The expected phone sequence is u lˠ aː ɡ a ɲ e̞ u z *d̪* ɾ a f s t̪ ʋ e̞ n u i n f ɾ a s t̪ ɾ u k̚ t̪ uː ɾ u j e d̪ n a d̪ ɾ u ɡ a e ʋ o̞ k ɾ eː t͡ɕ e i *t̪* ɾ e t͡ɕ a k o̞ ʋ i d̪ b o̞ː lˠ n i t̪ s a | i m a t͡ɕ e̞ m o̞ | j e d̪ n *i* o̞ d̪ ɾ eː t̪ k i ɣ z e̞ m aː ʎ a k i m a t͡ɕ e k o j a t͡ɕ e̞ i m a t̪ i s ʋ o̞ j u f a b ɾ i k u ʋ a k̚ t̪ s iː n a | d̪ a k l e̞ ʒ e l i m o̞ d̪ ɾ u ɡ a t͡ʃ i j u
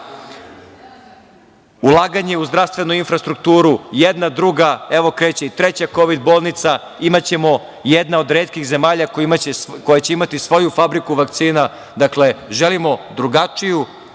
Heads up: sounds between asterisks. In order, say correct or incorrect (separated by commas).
correct, correct, incorrect